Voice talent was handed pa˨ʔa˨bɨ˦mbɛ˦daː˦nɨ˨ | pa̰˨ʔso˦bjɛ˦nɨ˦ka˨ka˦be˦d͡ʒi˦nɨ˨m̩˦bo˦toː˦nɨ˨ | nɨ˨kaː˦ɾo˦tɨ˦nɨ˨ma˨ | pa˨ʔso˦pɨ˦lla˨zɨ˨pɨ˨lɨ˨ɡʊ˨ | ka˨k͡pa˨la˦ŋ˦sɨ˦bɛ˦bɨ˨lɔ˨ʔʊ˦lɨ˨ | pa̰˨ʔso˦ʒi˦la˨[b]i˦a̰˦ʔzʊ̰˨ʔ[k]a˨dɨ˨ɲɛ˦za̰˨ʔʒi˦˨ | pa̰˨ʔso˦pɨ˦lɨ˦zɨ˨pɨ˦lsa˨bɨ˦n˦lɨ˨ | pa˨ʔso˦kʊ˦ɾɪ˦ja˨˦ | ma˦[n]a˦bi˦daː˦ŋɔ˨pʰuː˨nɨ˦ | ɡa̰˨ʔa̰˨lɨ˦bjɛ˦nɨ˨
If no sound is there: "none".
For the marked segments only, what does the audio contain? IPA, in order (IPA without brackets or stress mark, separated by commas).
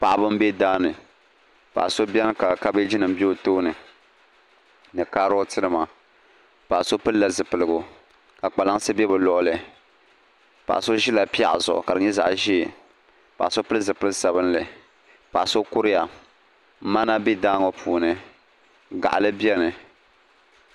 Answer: p, k, n